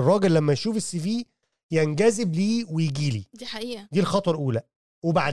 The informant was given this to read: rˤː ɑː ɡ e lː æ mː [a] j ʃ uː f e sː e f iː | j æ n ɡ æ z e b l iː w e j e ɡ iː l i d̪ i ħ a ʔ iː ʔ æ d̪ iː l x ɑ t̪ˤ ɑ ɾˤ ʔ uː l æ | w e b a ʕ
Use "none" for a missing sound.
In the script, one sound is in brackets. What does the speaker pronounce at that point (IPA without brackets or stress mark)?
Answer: æ